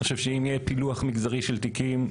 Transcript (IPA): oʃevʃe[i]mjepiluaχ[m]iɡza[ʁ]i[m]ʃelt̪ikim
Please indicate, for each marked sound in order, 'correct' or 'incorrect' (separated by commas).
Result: correct, correct, correct, incorrect